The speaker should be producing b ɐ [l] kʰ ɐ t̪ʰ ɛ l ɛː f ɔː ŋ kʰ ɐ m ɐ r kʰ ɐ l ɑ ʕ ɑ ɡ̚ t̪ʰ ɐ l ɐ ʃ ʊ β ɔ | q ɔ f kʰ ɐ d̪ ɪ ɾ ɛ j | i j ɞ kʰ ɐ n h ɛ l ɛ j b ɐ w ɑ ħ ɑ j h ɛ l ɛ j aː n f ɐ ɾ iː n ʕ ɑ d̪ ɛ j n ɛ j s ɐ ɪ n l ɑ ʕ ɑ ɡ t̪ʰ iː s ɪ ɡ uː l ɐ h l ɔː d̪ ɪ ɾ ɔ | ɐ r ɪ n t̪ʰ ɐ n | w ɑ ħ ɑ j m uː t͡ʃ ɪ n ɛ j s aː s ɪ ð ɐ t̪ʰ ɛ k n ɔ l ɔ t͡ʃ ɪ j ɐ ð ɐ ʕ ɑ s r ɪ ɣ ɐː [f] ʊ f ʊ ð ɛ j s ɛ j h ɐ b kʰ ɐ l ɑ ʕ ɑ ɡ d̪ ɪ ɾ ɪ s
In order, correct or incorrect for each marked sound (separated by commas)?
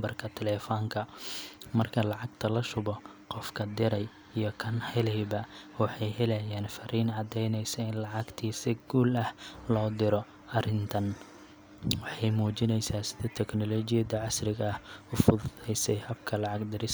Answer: incorrect, incorrect